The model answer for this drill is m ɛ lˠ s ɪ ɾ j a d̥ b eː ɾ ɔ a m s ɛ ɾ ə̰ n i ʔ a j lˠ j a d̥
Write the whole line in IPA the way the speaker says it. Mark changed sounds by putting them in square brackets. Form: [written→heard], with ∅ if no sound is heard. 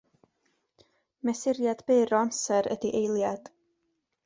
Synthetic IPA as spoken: m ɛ [lˠ→∅] s ɪ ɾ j a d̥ b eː ɾ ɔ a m s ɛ ɾ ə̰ [n→d] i ʔ [a→e] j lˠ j a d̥